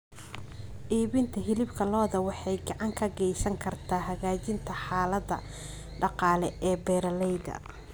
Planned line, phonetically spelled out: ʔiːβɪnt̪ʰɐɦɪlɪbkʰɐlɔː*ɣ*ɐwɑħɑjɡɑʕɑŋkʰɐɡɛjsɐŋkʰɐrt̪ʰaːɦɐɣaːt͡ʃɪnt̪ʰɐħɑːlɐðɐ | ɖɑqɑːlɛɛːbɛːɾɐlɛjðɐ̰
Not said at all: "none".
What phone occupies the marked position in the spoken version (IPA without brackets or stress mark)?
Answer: ð